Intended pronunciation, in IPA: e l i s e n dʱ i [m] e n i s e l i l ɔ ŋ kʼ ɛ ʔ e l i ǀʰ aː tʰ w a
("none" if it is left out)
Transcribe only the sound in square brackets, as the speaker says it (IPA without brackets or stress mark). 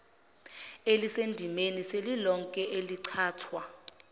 m